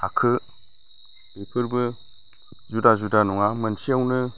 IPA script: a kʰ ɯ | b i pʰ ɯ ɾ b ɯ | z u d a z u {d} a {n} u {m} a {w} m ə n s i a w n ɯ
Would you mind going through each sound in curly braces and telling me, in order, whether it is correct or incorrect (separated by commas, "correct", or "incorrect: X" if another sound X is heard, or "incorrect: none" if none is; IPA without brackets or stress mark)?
correct, correct, incorrect: ŋ, incorrect: none